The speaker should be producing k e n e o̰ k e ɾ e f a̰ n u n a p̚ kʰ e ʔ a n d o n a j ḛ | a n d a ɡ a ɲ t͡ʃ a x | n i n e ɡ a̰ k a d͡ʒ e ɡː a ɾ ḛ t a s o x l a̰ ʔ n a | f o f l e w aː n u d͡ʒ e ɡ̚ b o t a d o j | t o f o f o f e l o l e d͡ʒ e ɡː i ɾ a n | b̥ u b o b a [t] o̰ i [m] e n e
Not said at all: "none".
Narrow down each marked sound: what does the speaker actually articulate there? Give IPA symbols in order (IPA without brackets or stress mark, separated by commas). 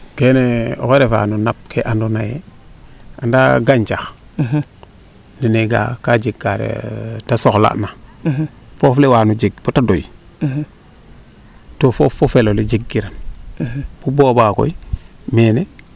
k, m